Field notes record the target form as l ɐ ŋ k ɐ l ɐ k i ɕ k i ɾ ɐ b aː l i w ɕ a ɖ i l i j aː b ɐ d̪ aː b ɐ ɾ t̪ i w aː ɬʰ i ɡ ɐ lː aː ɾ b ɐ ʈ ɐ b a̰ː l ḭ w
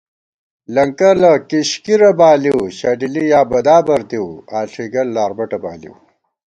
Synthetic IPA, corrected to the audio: l ɐ ŋ k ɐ l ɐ k i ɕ k i ɾ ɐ b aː l i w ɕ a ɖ i l i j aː b ɐ d̪ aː b ɐ ɾ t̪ i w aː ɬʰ i ɡ ɐ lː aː ɾ b ɐ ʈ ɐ b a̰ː l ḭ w